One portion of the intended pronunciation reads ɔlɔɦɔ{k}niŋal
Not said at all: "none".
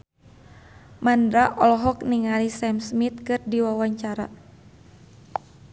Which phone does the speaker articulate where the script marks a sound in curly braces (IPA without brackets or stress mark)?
k